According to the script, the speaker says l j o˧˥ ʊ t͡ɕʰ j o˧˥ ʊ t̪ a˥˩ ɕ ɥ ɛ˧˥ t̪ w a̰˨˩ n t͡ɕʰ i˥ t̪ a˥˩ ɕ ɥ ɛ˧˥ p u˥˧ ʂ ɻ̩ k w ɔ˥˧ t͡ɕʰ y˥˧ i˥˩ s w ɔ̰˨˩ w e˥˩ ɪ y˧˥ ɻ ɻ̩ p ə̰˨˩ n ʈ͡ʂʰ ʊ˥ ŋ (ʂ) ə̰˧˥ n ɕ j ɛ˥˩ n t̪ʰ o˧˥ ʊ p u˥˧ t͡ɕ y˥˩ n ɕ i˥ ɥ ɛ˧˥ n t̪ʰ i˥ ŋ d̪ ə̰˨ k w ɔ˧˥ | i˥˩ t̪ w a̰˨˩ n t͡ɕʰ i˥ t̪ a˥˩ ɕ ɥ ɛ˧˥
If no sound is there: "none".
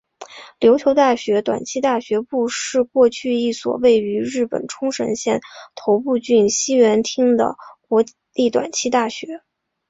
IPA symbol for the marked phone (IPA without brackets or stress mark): ʂ